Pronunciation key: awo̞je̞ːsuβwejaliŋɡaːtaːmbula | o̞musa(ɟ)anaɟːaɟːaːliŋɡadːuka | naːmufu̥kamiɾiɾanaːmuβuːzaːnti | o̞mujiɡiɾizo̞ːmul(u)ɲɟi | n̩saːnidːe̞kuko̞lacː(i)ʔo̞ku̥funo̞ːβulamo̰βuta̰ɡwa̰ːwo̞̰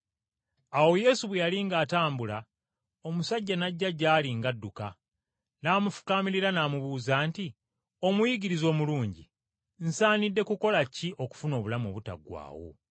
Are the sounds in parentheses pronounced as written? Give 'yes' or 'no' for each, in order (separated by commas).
no, no, yes